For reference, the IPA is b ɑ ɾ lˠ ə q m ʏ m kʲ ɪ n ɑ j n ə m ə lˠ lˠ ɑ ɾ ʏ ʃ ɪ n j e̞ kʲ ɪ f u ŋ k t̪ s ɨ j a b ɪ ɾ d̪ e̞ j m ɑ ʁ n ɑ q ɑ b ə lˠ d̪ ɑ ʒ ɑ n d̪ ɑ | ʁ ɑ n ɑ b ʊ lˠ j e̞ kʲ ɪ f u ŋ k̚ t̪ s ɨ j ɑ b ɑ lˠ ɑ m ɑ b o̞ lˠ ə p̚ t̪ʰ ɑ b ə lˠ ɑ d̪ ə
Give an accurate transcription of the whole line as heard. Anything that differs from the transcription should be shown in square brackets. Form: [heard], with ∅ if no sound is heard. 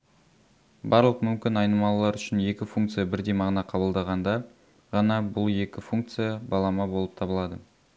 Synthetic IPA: b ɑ ɾ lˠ ə q m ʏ m kʲ ɪ n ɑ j n ə m [ɑ] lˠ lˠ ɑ ɾ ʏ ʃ ɪ n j e̞ kʲ ɪ f u ŋ k t̪ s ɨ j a b ɪ ɾ d̪ e̞ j m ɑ ʁ n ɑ [qʰ] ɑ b ə lˠ d̪ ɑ [ʁ] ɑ n d̪ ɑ | ʁ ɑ n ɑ b ʊ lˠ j e̞ kʲ ɪ f u ŋ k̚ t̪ s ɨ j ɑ b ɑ lˠ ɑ m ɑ b o̞ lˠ ə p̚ t̪ʰ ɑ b ə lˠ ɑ d̪ ə

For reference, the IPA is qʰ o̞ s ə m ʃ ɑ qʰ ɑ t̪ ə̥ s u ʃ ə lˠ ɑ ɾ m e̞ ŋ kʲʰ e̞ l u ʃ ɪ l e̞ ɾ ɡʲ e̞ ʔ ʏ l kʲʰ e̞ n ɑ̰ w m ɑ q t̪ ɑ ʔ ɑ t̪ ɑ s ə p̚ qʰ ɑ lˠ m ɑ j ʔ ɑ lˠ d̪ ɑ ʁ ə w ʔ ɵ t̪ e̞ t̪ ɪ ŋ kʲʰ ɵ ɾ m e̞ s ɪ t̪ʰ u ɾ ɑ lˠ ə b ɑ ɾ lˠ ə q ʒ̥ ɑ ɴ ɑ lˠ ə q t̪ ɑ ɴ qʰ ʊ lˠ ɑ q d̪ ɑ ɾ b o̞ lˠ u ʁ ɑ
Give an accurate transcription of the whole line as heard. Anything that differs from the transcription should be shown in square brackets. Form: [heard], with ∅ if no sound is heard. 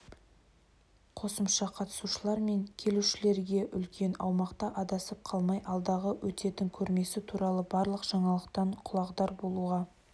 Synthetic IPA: qʰ o̞ s ə m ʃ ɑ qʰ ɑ t̪ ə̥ s u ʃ ə lˠ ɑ ɾ m e̞ ŋ kʲʰ e̞ l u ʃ ɪ l e̞ ɾ ɡʲ e̞ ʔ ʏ l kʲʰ e̞ n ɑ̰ w m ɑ q t̪ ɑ ʔ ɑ [d̪] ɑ s ə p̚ qʰ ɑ lˠ m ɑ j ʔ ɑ lˠ d̪ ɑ ʁ ə w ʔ ɵ t̪ e̞ t̪ ɪ ŋ kʲʰ ɵ ɾ m e̞ s ɪ t̪ʰ u ɾ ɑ lˠ ə b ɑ ɾ lˠ ə q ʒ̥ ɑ ɴ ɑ lˠ ə q t̪ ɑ ɴ qʰ ʊ lˠ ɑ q d̪ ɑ ɾ b o̞ lˠ u ʁ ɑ

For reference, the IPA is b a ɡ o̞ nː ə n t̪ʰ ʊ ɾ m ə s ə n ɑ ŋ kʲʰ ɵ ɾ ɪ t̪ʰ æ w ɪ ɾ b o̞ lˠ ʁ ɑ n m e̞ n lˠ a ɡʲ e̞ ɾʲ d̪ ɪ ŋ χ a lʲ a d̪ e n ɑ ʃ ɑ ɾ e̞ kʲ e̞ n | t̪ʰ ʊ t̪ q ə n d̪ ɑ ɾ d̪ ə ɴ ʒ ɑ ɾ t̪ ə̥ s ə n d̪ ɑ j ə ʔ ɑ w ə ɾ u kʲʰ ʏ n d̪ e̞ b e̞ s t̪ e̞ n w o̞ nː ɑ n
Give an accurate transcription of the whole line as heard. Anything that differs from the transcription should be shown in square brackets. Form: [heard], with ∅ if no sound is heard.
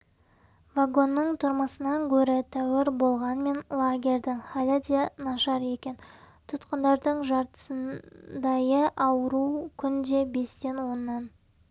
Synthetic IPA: [v] a ɡ o̞ nː ə [ɴ] t̪ʰ ʊ ɾ m ə s ə n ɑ ŋ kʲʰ ɵ ɾ ɪ t̪ʰ æ w ɪ ɾ b o̞ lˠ ʁ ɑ n m e̞ n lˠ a ɡʲ e̞ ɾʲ d̪ ɪ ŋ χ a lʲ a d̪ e n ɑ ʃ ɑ ɾ e̞ kʲ e̞ n | t̪ʰ ʊ t̪ q ə n d̪ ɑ ɾ d̪ ə ɴ ʒ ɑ ɾ t̪ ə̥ s ə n d̪ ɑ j ə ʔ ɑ w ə ɾ u kʲʰ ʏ n d̪ e̞ b e̞ s t̪ e̞ n w o̞ nː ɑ n

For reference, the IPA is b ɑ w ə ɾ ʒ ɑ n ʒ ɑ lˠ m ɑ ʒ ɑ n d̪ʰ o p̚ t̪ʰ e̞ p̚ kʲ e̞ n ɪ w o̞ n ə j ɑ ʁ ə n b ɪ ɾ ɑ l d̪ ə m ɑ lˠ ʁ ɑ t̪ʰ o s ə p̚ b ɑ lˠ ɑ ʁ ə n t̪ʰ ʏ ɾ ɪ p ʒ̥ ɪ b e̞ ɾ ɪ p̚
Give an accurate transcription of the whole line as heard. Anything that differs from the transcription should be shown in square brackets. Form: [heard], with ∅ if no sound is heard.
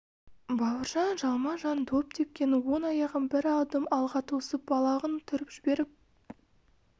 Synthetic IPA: b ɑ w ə ɾ ʒ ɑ n ʒ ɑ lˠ m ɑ ʒ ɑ n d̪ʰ o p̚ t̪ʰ e̞ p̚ kʲ e̞ n ɪ w o̞ n [ɑ] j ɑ ʁ ə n b ɪ ɾ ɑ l d̪ ə m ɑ lˠ ʁ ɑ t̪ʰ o s ə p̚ b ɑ lˠ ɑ ʁ ə n t̪ʰ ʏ ɾ ɪ p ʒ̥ ɪ b e̞ ɾ ɪ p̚

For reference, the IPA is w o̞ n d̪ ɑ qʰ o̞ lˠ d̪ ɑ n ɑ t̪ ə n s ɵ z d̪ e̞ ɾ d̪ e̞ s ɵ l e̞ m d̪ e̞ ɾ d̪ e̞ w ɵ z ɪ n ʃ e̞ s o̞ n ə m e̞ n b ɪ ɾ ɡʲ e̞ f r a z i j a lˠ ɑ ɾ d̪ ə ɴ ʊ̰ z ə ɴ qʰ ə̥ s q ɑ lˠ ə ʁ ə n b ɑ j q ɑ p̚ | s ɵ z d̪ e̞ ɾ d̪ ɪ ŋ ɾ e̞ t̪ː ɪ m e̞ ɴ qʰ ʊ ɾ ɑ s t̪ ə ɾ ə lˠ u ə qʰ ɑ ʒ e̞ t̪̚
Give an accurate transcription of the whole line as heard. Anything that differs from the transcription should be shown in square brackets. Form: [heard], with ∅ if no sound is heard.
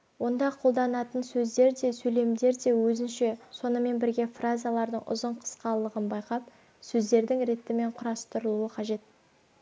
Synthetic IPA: w o̞ n d̪ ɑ qʰ o̞ lˠ d̪ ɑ n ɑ t̪ ə n s ɵ z d̪ e̞ ɾ d̪ e̞ s ɵ l e̞ m d̪ e̞ ɾ d̪ e̞ w ɵ z ɪ n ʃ e̞ s o̞ n ə m e̞ n b ɪ ɾ ɡʲ e̞ f r a z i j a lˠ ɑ ɾ d̪ ə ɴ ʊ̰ z ə ɴ qʰ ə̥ s q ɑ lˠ ə ʁ ə n b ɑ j q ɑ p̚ | s ɵ z d̪ e̞ ɾ d̪ ɪ ŋ ɾ e̞ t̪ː ɪ m e̞ ɴ qʰ ʊ ɾ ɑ s t̪ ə ɾ ə lˠ u ə qʰ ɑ ʒ e̞ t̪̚

